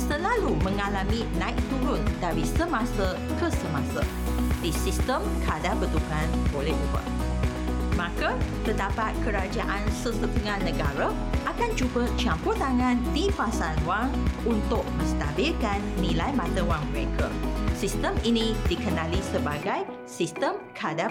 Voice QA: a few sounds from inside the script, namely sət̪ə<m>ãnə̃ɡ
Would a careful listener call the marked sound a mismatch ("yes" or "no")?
yes